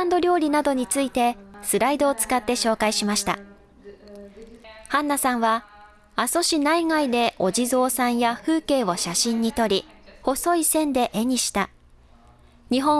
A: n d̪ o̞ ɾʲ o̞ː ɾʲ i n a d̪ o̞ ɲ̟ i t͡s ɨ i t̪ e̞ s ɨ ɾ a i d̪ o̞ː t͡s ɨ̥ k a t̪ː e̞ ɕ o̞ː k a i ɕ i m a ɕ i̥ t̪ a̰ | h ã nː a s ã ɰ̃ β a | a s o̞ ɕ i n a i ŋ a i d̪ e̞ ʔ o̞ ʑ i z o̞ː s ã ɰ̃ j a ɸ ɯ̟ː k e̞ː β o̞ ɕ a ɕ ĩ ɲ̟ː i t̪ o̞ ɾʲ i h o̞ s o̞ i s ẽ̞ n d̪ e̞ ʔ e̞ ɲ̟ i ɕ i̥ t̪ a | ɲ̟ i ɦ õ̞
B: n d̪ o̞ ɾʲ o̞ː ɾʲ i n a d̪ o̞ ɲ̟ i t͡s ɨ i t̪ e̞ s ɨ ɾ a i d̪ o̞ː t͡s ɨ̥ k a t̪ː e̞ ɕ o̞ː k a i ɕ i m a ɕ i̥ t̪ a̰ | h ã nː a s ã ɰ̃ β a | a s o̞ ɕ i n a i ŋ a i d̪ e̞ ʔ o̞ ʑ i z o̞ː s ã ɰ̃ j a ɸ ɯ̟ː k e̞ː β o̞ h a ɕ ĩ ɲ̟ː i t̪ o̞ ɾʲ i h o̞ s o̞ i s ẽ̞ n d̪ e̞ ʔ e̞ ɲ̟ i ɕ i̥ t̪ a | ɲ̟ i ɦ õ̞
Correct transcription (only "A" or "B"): A